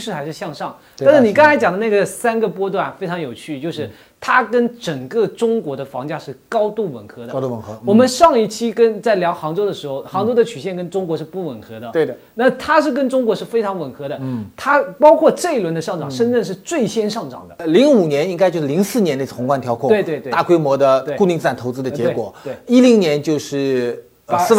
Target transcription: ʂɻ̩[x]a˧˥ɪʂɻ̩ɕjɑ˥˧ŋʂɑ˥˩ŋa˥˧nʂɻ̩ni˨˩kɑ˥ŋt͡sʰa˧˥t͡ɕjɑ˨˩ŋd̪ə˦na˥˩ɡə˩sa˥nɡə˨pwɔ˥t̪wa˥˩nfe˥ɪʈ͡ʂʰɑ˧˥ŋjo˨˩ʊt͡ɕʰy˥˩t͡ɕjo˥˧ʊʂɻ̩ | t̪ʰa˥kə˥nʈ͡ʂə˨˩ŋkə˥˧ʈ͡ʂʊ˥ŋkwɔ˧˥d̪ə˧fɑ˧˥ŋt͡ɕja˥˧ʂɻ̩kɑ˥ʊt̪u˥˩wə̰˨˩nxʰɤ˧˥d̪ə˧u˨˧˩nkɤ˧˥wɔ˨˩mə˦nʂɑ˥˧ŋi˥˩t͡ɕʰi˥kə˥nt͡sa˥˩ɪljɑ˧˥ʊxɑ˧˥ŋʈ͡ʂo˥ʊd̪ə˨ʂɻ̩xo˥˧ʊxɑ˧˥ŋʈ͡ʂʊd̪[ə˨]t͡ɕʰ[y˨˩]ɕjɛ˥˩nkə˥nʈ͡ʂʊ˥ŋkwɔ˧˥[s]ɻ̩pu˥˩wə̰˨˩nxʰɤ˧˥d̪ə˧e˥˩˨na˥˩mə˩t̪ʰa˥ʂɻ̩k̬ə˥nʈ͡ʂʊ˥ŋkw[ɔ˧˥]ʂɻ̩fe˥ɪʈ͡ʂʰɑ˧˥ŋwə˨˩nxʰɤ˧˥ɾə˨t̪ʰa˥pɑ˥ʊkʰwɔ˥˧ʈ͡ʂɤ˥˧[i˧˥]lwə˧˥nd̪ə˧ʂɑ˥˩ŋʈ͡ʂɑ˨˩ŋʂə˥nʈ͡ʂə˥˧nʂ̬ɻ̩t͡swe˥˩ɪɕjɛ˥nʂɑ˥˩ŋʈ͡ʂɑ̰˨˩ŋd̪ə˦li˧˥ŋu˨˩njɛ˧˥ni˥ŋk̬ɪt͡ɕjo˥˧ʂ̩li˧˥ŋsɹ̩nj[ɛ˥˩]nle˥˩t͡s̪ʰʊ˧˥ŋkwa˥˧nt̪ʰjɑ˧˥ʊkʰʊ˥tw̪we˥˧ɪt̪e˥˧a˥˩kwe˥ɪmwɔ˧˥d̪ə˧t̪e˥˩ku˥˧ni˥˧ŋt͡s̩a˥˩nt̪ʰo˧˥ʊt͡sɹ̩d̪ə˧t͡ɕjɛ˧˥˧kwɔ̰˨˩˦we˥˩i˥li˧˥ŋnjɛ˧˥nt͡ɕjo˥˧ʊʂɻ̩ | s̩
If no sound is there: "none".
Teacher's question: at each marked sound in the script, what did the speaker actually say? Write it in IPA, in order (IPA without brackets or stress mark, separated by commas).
x, ə˨, y˨˩, ʂ, ɔ˧˥, i˥, ɛ˧˥